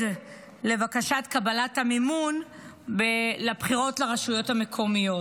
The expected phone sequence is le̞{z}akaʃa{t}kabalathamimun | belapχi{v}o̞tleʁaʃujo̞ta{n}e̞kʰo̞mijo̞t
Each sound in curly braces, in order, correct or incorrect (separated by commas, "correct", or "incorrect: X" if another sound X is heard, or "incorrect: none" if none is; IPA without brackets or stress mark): incorrect: v, correct, incorrect: ʁ, incorrect: m